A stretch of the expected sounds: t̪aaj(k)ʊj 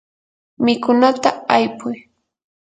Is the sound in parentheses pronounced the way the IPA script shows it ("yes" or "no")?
no